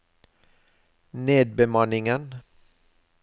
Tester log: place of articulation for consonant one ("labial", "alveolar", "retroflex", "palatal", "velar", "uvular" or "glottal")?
alveolar